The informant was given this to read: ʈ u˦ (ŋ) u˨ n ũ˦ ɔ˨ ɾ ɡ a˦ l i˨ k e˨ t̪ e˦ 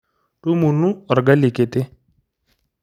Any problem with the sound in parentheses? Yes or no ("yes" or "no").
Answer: yes